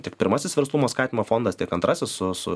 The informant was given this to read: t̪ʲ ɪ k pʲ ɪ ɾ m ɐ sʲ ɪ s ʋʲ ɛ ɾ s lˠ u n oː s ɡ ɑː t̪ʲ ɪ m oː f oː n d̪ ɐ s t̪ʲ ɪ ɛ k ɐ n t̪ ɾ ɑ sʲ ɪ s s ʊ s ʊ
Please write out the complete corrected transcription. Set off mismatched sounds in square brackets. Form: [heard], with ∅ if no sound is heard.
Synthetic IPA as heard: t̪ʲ ɪ k pʲ ɪ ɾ m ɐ sʲ ɪ s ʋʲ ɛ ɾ s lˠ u [m] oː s [k] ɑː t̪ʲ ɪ m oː f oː n d̪ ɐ s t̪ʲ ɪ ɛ k ɐ n t̪ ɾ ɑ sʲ ɪ s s ʊ s ʊ